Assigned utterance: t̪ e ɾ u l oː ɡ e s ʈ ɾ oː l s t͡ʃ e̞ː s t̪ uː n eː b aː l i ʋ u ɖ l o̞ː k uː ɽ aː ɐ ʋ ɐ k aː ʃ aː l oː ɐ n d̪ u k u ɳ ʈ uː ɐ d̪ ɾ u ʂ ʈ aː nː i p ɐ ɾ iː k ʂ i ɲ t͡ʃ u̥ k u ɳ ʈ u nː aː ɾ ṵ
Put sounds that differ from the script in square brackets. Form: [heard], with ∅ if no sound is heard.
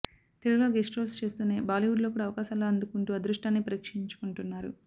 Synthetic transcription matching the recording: t̪ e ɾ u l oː ɡ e s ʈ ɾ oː l s t͡ʃ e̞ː s t̪ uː n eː b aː l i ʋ u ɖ l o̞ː k uː ɽ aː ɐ ʋ ɐ k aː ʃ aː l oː ɐ n d̪ u k u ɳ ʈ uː ɐ d̪ ɾ u ʂ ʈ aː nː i p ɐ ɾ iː k ʂ i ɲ t͡ʃ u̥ k u ɳ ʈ u nː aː ɾ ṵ